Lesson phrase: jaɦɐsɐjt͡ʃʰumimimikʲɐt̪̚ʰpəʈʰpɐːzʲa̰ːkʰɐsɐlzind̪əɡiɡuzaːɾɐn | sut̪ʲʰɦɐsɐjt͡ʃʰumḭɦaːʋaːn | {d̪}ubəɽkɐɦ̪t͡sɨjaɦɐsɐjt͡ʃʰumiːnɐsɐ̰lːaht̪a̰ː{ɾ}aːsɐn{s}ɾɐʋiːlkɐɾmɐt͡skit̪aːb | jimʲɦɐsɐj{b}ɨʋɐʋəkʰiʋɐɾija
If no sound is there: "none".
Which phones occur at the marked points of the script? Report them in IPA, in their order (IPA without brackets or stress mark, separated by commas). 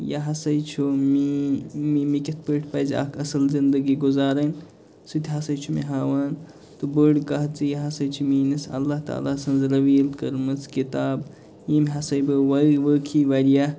t̪, l, z, b